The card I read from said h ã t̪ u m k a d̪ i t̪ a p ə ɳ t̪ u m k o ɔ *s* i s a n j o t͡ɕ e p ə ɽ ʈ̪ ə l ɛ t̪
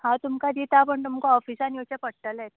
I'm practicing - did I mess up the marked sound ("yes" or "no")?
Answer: yes